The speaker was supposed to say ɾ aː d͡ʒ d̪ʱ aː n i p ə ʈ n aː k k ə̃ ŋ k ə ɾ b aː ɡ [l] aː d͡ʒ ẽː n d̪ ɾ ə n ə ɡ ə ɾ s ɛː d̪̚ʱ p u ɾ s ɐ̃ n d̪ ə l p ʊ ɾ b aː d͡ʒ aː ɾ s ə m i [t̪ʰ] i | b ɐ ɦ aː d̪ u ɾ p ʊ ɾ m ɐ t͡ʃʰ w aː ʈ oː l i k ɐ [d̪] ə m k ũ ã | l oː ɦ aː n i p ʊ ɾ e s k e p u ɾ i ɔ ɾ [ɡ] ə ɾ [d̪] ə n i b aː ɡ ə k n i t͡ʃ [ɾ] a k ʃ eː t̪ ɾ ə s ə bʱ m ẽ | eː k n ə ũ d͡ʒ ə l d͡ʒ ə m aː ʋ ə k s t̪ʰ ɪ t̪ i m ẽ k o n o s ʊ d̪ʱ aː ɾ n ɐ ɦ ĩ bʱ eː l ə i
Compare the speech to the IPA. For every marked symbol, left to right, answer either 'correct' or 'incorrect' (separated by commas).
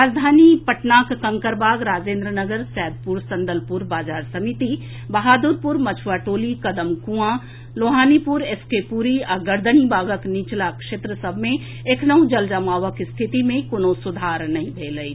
incorrect, incorrect, correct, correct, correct, incorrect